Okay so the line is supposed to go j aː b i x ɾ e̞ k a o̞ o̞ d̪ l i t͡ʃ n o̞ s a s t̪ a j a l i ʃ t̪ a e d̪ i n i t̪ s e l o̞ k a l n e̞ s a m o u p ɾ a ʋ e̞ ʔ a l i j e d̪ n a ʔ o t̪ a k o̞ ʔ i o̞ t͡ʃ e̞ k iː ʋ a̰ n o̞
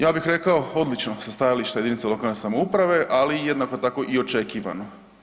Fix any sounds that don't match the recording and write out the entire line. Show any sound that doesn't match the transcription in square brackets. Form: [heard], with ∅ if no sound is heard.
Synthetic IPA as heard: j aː b i x ɾ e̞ k a o̞ o̞ d̪ l i t͡ʃ n o̞ s a s t̪ a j a l i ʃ t̪ a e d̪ i n i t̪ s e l o̞ k a l n e̞ s a m o u p ɾ a ʋ e̞ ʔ a l i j e d̪ n a [k] o t̪ a k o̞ ʔ i o̞ t͡ʃ e̞ k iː ʋ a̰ n o̞